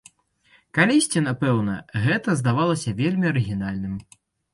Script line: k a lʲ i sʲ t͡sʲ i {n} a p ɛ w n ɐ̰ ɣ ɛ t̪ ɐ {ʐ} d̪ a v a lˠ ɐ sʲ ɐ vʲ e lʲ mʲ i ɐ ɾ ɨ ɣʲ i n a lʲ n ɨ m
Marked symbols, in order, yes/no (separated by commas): yes, no